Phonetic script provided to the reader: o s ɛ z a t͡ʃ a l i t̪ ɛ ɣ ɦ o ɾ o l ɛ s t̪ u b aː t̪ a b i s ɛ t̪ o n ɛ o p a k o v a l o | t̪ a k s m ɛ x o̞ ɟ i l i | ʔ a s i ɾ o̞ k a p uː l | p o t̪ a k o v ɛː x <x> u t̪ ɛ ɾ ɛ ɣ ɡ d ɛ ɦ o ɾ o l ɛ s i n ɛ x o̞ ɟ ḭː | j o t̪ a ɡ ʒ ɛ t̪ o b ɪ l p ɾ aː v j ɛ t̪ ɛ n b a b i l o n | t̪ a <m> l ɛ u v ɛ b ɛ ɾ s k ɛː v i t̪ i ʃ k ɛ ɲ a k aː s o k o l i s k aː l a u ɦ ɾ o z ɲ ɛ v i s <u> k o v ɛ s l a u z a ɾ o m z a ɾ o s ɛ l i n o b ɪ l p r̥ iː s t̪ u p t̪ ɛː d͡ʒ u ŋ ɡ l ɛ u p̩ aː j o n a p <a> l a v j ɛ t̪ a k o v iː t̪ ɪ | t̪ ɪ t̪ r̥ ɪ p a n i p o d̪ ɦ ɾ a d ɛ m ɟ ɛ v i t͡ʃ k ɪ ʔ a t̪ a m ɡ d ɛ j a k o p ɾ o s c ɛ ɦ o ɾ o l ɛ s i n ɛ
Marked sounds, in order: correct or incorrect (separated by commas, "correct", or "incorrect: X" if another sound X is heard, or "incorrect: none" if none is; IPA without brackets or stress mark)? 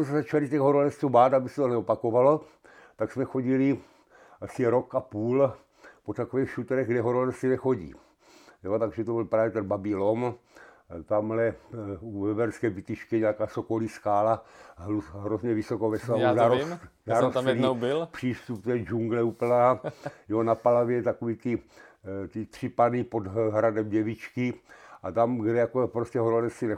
incorrect: ʃ, correct, incorrect: o, correct